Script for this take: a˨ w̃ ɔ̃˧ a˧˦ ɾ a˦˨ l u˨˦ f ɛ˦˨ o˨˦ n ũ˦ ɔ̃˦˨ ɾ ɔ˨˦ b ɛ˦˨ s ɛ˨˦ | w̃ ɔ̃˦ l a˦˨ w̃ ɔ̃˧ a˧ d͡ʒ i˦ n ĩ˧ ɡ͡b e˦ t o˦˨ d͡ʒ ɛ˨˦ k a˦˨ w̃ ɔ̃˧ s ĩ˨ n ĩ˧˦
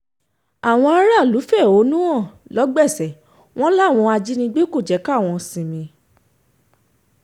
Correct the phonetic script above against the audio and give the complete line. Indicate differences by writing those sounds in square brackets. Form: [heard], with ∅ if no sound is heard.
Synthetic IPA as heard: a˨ w̃ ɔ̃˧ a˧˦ ɾ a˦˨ l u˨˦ f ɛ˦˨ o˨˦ n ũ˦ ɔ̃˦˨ [l] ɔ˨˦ [ɡ͡b] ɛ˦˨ s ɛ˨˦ | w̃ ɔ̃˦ l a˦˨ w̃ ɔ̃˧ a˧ d͡ʒ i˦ n ĩ˧ ɡ͡b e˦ [k] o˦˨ d͡ʒ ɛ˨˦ k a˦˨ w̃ ɔ̃˧ s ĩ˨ [m] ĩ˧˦